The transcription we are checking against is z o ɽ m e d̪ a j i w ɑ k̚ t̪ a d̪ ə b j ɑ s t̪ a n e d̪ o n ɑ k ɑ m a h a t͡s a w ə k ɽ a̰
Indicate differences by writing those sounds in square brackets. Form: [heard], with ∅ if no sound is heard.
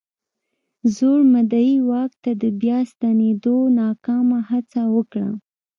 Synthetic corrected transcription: z o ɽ m [a] d̪ a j i w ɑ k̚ t̪ a d̪ ə b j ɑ s t̪ a n e d̪ o n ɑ k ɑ m a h a t͡s a w ə k ɽ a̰